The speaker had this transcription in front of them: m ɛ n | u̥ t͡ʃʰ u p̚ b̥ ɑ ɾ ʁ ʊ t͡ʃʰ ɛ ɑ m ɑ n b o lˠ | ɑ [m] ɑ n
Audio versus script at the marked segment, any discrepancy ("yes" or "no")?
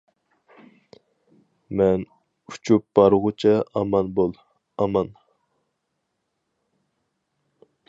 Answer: no